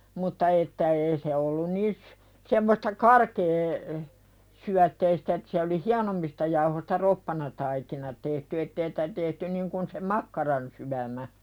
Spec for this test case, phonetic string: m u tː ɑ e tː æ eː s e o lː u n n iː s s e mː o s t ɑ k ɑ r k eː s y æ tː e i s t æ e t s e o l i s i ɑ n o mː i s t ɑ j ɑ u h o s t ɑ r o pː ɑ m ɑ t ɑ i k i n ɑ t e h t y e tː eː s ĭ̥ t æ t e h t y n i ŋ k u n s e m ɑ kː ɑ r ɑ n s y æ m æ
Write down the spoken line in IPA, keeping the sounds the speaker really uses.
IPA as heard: m u tː ɑ e tː æ eː s e o lː u n n iː s s e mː o s t ɑ k ɑ r k eː s y æ tː e i s t æ e t s e o l i h i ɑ n o mː i s t ɑ j ɑ u h o s t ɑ r o pː ɑ n ɑ t ɑ i k i n ɑ t e h t y e tː eː s ĭ̥ t æ t e h t y n i ŋ k u n s e m ɑ kː ɑ r ɑ n s y æ m æ